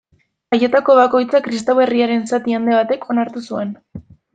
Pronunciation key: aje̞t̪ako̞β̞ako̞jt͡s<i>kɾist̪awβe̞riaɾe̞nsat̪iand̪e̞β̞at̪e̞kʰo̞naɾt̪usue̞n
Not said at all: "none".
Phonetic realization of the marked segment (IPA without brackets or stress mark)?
a